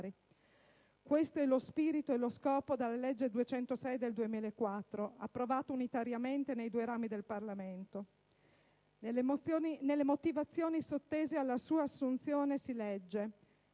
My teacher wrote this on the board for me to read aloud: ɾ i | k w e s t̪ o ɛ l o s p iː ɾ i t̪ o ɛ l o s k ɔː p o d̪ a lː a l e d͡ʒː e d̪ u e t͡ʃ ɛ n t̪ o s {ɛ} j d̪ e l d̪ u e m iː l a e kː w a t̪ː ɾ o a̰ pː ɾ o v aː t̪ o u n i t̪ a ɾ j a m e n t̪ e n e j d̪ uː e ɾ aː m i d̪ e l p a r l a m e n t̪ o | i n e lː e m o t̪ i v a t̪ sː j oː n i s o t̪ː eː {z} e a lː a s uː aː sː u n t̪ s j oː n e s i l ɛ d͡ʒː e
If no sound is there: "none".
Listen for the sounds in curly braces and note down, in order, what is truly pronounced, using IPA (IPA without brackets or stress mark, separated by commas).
ɛ, z